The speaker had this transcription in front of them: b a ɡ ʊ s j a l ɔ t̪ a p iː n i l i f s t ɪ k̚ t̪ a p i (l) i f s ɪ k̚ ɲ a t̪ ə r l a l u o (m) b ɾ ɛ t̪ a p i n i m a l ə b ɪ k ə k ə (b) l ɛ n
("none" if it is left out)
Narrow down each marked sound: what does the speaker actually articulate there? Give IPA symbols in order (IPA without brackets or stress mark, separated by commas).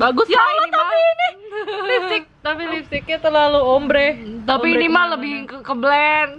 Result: l, m, b